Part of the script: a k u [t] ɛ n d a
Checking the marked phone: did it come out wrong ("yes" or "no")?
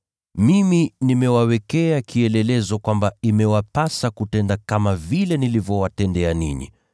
no